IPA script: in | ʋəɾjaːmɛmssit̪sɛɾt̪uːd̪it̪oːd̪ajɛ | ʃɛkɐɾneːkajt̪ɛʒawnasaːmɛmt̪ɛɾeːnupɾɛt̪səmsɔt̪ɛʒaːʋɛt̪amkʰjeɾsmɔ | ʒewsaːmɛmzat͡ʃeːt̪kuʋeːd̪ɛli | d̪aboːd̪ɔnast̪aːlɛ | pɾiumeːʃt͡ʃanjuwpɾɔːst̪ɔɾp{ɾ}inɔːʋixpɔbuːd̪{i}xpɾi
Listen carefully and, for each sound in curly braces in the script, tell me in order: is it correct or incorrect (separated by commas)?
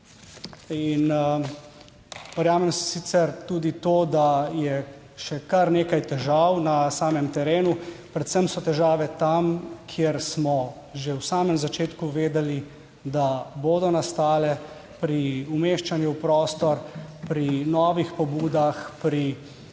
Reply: correct, incorrect